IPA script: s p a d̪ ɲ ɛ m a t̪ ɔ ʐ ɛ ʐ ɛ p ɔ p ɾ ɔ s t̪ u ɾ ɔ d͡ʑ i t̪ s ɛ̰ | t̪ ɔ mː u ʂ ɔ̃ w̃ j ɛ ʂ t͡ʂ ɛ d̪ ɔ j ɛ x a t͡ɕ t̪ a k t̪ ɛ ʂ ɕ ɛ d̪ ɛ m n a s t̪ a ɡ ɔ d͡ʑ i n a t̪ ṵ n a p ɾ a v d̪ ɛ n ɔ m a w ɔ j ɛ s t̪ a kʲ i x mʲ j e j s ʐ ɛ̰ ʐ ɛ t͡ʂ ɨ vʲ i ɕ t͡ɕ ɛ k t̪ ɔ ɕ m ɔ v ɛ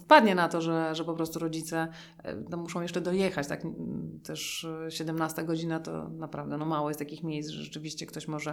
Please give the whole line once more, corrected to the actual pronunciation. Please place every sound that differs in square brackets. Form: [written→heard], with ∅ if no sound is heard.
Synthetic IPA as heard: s p a d̪ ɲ ɛ [m→n] a t̪ ɔ ʐ ɛ ʐ ɛ p ɔ p ɾ ɔ s t̪ u ɾ ɔ d͡ʑ i t̪ s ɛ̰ | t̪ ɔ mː u ʂ ɔ̃ w̃ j ɛ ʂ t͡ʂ ɛ d̪ ɔ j ɛ x a t͡ɕ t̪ a k t̪ ɛ ʂ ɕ ɛ d̪ ɛ m n a s t̪ a ɡ ɔ d͡ʑ i n a t̪ [ṵ→ɔ̰] n a p ɾ a v d̪ ɛ n ɔ m a w ɔ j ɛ s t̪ a kʲ i x mʲ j e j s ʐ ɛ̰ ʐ ɛ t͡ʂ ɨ vʲ i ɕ t͡ɕ ɛ k t̪ ɔ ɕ m ɔ [v→ʐ] ɛ